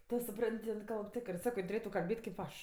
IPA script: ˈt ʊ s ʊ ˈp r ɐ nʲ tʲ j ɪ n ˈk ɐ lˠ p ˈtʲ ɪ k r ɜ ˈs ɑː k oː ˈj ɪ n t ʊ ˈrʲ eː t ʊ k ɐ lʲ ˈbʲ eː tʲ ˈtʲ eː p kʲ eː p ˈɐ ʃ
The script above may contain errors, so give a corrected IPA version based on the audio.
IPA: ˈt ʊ s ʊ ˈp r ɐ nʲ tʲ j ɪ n ˈk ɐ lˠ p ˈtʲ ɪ k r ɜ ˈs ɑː k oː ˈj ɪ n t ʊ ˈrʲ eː t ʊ k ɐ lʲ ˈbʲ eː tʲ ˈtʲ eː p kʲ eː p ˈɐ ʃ